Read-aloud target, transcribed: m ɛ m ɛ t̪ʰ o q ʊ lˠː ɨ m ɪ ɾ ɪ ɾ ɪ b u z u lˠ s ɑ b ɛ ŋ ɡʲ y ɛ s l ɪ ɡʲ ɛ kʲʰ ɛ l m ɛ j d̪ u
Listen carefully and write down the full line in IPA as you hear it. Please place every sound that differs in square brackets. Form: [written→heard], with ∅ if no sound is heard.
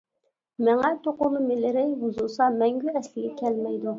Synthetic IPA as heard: m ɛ [m→ŋ] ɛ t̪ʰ o q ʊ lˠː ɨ m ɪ [ɾ→l] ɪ ɾ ɪ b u z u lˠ s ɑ [b→m] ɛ ŋ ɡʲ y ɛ s l ɪ ɡʲ ɛ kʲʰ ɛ l m ɛ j d̪ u

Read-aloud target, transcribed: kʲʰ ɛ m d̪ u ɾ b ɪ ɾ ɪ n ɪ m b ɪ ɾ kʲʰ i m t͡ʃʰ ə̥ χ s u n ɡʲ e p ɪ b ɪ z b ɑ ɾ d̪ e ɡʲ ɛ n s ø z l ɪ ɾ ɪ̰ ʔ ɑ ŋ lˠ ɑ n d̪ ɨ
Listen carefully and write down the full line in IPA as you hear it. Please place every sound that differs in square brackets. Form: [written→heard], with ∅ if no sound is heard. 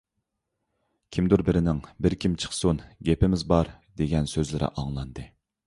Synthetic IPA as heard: kʲʰ [ɛ→i] m d̪ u ɾ b ɪ ɾ ɪ n ɪ [m→ŋ] b ɪ ɾ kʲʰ i m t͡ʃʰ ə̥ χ s u n ɡʲ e p ɪ [b→m] ɪ z b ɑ ɾ d̪ e ɡʲ ɛ n s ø z l ɪ ɾ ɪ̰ ʔ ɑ ŋ lˠ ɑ n d̪ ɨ

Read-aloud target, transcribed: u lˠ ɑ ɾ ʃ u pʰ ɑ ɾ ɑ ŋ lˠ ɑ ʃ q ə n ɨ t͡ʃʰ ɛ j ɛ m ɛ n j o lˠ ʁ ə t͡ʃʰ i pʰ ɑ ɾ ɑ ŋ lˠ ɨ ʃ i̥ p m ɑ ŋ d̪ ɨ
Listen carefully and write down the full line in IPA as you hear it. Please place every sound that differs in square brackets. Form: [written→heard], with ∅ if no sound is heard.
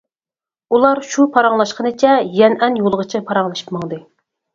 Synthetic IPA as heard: u lˠ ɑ ɾ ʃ u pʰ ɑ ɾ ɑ ŋ lˠ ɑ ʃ q ə n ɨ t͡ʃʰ ɛ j ɛ [m→n] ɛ n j o lˠ ʁ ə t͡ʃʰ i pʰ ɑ ɾ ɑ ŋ lˠ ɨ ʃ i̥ p m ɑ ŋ d̪ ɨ

